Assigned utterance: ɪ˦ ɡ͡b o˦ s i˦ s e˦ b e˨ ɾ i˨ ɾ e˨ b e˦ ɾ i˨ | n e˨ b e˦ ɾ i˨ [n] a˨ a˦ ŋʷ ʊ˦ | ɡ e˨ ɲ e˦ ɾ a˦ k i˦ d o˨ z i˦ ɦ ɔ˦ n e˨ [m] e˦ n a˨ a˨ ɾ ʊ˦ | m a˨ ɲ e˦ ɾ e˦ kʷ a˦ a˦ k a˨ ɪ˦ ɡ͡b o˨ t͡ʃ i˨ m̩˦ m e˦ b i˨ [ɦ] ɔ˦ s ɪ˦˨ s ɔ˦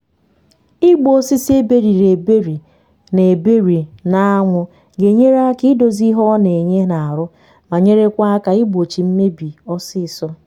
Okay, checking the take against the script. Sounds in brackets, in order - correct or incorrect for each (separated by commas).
correct, incorrect, incorrect